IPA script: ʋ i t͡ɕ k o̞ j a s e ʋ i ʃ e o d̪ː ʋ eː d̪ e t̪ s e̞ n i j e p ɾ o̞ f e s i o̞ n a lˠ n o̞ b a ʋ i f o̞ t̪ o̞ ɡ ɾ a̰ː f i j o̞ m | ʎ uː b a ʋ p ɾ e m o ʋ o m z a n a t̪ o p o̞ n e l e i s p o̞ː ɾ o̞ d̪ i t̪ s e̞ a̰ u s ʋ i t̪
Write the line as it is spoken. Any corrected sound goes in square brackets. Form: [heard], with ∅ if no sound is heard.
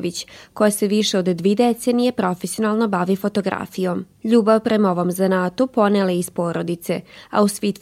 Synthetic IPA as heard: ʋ i t͡ɕ k o̞ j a s e ʋ i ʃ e o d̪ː ʋ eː d̪ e t̪ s e̞ n i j e p ɾ o̞ f e s i o̞ n a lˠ n o̞ b a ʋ i f o̞ t̪ o̞ ɡ ɾ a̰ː f i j o̞ m | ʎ uː b a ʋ p ɾ e m o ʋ o m z a n a t̪ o p o̞ n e l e i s p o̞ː ɾ o̞ d̪ i t̪ s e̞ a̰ u s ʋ i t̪